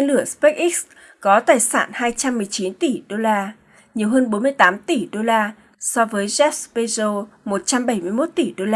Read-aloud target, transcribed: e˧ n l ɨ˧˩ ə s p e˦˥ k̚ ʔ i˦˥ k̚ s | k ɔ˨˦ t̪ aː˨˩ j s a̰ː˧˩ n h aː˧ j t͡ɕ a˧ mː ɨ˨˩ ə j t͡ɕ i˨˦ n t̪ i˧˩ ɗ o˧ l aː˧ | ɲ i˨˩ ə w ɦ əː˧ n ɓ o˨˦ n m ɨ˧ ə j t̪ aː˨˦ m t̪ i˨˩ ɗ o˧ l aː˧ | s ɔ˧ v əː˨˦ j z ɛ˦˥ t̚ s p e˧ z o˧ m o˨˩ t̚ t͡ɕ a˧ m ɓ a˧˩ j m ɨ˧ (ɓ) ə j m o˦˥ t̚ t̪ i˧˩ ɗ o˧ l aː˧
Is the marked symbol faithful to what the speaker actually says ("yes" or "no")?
no